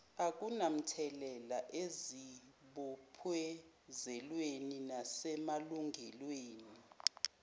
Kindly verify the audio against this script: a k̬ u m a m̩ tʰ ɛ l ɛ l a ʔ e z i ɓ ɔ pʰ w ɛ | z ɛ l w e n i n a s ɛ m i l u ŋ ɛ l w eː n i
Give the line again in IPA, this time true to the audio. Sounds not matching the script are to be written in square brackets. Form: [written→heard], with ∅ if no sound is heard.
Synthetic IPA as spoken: a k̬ u [m→n] a m̩ tʰ ɛ l ɛ l a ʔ e z i ɓ ɔ pʰ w ɛ | z ɛ l w e n i n a s ɛ m [i→a] l u ŋ ɛ l w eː n i